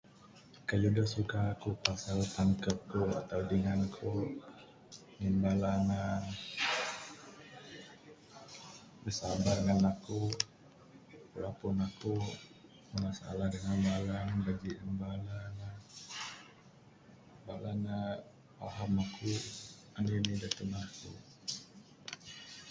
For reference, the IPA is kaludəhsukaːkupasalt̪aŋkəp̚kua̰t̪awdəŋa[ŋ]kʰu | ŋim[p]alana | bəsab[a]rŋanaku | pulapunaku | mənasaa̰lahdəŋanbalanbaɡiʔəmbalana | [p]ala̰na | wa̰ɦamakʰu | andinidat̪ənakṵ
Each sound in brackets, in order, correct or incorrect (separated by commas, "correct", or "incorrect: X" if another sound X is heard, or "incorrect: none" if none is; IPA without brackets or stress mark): incorrect: n, incorrect: b, correct, incorrect: b